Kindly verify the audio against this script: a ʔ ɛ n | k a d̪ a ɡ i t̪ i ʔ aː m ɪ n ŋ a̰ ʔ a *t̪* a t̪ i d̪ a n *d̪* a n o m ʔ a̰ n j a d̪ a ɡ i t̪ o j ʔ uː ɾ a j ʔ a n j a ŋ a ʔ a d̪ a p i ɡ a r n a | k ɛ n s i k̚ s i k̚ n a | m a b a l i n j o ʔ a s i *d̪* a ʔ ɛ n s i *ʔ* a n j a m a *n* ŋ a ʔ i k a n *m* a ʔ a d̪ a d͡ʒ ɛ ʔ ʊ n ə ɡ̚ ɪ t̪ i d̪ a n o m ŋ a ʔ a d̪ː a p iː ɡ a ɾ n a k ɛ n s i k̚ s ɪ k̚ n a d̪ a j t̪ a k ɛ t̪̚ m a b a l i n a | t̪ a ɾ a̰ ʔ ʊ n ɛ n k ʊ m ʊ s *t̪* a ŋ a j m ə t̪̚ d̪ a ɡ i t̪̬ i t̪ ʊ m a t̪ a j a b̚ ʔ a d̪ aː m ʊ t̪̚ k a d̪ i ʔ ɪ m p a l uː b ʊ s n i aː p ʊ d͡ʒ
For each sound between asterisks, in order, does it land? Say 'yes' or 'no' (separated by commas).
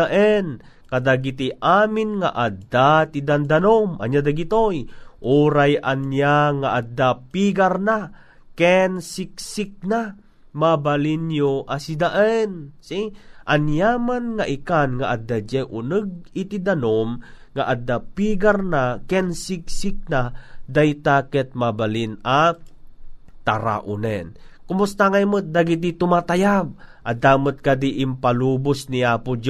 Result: no, yes, yes, yes, yes, no, yes